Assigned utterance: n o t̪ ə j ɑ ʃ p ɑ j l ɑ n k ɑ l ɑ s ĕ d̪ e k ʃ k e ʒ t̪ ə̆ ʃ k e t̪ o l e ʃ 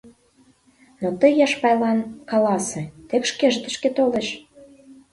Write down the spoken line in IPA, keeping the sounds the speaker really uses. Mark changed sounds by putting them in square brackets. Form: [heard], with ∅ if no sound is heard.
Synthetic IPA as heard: n o t̪ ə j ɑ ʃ p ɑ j l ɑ n k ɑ l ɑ s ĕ [t̪] e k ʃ k e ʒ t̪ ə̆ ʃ k e t̪ o l e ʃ